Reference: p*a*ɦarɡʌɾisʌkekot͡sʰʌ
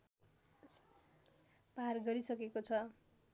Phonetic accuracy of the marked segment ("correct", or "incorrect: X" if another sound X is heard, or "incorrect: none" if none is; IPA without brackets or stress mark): correct